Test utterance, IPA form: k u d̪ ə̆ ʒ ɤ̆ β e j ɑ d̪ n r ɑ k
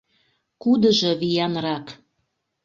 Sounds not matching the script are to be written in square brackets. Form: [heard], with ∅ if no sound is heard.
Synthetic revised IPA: k u d̪ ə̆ ʒ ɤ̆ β [i] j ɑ [∅] n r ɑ k

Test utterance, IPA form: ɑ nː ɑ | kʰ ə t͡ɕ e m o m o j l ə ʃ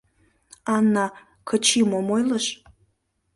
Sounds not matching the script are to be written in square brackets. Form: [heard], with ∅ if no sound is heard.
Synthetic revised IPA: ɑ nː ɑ | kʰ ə t͡ɕ [i] m o m o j l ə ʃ

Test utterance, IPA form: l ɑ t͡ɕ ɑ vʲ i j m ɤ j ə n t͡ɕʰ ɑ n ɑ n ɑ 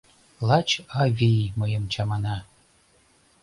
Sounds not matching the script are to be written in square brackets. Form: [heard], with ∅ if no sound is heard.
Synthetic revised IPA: l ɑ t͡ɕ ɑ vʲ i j m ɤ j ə [m] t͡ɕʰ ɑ [m] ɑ n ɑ

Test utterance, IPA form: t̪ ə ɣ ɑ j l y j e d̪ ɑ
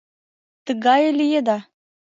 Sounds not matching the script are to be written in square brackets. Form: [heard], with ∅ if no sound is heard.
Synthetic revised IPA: t̪ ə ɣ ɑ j l [i] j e d̪ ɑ

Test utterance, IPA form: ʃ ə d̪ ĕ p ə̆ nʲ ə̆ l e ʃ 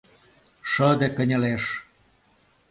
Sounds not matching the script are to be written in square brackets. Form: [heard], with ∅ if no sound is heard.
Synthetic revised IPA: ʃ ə d̪ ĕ [k] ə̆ nʲ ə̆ l e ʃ

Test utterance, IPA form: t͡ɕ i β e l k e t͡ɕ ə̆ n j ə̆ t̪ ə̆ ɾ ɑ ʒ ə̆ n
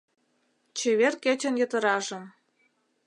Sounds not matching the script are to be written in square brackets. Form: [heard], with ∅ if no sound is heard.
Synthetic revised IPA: t͡ɕ [e] β e [r] k e t͡ɕ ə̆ n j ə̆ t̪ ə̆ ɾ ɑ ʒ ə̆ [m]

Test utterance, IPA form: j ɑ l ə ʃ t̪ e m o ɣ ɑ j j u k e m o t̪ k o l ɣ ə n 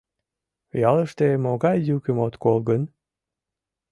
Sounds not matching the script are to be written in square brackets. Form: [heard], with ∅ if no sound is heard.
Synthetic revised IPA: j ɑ l ə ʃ t̪ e m o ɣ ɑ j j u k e m o t̪ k o l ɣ ə n

